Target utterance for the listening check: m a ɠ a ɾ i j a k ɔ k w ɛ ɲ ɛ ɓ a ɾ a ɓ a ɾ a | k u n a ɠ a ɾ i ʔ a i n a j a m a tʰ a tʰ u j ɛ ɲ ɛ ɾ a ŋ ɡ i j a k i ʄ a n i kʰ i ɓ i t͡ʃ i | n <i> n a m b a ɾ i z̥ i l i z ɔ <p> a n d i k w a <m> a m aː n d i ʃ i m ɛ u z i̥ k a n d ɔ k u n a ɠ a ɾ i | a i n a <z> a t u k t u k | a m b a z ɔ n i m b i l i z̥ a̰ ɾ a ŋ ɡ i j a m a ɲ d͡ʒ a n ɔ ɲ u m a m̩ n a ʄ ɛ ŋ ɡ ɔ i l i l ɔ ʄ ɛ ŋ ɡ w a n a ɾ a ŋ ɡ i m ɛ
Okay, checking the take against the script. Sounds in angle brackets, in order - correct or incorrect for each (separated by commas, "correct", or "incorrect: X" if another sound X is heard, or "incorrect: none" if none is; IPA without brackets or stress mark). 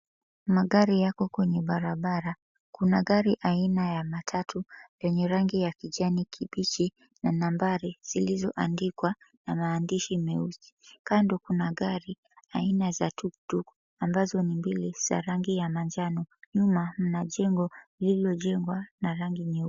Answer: incorrect: a, incorrect: ʔ, incorrect: n, correct